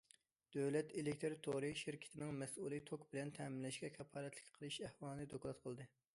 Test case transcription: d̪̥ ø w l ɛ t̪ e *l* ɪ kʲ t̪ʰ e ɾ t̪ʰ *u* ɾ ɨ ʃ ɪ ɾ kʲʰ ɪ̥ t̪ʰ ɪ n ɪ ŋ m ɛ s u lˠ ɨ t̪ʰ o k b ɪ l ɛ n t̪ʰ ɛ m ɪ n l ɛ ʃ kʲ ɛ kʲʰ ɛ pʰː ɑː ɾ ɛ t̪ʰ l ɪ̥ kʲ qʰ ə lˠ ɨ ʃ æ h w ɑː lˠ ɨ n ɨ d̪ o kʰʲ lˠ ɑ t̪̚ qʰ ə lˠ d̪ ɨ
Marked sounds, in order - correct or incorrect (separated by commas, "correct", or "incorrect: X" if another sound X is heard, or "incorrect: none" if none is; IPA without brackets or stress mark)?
correct, incorrect: o